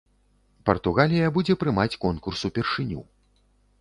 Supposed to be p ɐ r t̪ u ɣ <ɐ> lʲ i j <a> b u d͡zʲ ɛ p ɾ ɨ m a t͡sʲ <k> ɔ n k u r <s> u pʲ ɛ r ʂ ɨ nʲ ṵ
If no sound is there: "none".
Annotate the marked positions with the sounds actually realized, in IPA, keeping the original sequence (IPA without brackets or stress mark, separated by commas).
a, ɐ, k, s